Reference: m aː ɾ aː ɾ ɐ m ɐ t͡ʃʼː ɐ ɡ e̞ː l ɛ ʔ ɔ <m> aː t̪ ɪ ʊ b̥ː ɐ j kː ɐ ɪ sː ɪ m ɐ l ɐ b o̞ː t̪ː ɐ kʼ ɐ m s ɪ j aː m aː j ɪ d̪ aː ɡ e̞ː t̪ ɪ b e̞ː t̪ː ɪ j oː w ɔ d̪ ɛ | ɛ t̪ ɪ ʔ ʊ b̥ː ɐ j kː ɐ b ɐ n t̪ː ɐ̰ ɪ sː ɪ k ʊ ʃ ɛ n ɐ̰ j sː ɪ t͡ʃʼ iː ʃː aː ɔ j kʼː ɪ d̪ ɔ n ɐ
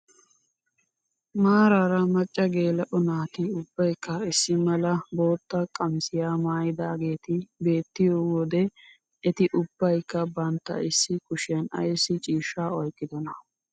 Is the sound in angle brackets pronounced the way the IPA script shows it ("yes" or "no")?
no